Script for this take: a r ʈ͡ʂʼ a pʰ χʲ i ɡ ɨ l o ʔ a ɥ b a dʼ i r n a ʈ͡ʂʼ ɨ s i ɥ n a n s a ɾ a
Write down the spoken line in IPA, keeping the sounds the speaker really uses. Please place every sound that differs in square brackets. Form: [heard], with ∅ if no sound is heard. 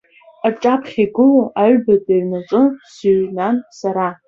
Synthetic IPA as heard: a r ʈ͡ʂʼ a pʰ χʲ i ɡ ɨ l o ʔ a ɥ b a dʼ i r n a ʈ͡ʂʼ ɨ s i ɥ n a n s a ɾ a